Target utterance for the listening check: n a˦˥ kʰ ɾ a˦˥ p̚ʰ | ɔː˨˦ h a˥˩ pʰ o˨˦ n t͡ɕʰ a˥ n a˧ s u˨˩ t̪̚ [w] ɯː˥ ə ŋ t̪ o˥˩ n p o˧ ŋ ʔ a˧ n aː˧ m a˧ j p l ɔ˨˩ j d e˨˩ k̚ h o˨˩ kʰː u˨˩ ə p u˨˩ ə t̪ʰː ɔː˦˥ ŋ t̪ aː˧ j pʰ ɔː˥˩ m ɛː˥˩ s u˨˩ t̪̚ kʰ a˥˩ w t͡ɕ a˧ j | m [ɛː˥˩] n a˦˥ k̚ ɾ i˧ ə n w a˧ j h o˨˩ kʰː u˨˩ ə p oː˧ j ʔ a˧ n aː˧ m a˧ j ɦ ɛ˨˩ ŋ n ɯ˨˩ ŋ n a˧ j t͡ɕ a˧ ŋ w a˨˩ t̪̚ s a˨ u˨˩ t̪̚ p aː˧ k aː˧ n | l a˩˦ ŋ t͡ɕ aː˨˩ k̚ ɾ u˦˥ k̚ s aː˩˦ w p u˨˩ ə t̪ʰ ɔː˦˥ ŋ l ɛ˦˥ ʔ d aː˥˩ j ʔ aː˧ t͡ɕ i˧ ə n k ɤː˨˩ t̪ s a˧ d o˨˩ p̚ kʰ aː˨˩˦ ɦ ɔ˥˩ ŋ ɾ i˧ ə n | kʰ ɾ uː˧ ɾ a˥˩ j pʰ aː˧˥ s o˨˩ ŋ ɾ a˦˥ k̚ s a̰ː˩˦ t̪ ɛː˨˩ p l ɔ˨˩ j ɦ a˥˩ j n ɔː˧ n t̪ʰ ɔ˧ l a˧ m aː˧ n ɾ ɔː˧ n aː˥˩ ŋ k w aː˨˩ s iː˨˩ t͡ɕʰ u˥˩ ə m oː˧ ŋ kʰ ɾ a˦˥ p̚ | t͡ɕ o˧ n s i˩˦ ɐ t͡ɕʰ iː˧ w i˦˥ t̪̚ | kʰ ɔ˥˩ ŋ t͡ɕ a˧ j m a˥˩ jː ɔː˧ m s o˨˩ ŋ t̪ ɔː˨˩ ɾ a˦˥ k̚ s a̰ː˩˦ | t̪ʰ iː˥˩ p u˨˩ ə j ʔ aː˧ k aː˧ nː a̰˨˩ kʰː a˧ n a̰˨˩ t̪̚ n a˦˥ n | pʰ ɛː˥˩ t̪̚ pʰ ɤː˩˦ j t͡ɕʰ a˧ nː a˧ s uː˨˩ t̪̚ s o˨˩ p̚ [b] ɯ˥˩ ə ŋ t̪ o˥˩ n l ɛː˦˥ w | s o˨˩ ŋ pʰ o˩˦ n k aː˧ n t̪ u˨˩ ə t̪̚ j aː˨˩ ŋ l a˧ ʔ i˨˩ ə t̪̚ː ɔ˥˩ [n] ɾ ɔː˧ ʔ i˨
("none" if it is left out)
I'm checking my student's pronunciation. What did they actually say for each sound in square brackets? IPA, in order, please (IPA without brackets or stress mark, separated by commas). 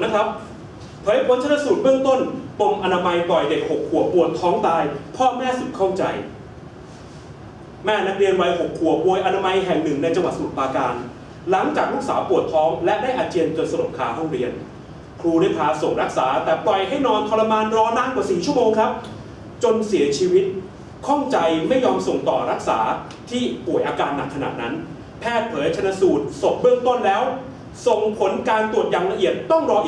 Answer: b, ɛː˥˩, b, ŋ